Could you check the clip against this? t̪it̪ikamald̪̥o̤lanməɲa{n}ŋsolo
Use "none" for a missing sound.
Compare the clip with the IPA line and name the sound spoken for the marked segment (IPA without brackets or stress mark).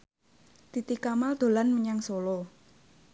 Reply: none